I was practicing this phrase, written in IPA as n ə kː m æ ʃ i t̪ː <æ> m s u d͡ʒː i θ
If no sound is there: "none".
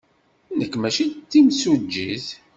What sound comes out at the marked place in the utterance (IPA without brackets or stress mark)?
i